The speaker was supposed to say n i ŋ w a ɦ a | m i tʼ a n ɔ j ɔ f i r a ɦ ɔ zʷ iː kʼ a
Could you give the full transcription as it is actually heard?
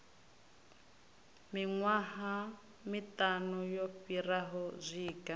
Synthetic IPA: m i ŋ w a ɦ a | m i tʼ a n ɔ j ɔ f i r a ɦ ɔ zʷ iː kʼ a